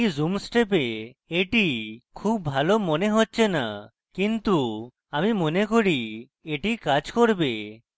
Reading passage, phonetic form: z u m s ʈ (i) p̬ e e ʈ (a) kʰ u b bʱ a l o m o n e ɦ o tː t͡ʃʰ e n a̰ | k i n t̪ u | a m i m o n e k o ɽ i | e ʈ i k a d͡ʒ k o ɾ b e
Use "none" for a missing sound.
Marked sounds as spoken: e, i

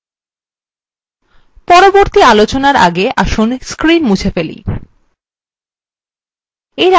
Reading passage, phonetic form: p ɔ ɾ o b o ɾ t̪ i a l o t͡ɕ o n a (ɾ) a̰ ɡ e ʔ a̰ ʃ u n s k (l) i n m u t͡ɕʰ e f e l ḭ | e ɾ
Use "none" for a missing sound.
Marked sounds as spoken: ɾ, ɾ

